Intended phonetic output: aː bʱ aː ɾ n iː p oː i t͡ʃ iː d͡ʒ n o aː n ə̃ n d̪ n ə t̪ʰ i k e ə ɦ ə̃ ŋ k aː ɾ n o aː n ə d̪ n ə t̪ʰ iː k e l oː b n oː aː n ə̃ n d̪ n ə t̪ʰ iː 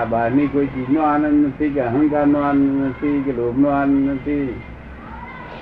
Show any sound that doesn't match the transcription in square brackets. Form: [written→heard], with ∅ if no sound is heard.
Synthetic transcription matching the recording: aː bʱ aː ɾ n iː [p→k] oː i t͡ʃ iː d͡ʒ n o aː n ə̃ n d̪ n ə t̪ʰ i k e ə ɦ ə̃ ŋ k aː ɾ n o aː n ə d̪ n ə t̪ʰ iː k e l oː b n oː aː n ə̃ n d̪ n ə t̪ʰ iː